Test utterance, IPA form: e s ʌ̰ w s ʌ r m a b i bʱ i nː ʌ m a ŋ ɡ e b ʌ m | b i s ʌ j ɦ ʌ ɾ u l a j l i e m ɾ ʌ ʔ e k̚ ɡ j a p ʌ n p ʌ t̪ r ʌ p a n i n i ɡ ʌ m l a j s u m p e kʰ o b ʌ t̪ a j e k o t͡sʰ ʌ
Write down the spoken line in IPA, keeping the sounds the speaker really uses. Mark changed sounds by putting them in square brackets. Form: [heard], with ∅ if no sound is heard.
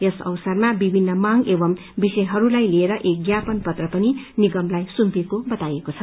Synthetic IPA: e s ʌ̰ w s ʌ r m a b i bʱ i nː ʌ m a ŋ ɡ e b ʌ m | b i s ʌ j ɦ ʌ ɾ u l a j l i e [∅] ɾ ʌ ʔ e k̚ ɡ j a p ʌ n p ʌ t̪ r ʌ p [ʌ] n i n i ɡ ʌ m l a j s u m p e [k] o b ʌ t̪ a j e k o t͡sʰ ʌ